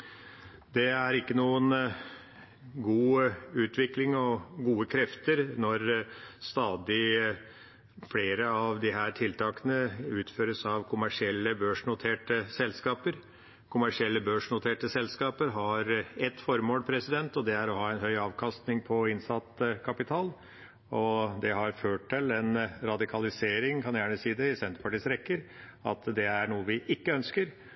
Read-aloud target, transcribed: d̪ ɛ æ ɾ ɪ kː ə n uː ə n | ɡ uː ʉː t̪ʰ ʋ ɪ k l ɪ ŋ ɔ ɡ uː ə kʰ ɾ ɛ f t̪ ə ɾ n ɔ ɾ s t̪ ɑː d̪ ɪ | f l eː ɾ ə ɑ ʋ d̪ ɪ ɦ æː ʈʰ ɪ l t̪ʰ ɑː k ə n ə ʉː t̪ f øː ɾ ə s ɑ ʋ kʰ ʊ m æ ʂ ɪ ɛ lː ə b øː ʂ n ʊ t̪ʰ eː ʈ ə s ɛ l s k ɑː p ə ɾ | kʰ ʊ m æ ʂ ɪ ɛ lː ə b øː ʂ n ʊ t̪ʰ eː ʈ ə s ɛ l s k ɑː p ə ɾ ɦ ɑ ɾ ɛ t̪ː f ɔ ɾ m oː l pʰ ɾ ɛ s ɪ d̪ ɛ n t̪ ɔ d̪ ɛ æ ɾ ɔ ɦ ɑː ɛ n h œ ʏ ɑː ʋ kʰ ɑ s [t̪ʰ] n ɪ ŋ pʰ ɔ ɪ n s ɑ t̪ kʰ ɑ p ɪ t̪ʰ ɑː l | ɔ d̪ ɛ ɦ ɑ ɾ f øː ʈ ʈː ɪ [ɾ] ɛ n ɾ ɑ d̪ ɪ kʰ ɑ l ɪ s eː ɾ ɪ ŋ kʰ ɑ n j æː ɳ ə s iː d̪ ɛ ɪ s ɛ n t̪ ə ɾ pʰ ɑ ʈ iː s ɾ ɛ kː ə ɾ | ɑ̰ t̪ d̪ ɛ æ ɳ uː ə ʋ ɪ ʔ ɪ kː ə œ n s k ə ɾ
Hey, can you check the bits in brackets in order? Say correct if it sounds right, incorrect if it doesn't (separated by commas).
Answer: incorrect, incorrect